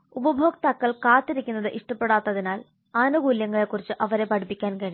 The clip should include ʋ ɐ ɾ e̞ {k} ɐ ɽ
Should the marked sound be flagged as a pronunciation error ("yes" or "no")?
yes